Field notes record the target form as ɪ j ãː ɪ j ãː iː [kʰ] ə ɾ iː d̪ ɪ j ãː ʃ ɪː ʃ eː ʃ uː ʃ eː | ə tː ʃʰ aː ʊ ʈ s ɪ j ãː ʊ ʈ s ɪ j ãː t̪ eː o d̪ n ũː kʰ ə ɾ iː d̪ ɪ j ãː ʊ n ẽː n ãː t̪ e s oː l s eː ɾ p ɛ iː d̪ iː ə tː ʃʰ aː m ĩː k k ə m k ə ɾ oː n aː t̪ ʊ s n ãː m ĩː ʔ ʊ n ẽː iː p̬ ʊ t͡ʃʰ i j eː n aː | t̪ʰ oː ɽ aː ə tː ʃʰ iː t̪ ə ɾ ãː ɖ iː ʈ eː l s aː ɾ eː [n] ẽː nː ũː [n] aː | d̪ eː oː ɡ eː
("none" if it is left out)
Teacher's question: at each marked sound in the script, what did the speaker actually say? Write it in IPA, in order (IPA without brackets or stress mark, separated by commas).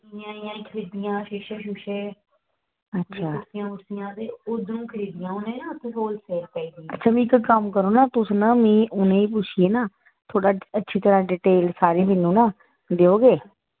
kʰ, m, n